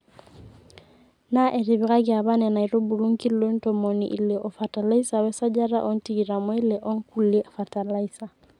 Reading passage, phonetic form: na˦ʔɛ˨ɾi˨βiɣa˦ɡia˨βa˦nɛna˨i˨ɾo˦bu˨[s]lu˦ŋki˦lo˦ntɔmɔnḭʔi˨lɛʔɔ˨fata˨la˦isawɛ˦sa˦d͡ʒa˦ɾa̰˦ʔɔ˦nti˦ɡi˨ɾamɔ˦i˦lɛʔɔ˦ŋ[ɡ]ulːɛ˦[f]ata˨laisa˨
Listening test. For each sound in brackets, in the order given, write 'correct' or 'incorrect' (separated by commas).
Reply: incorrect, incorrect, correct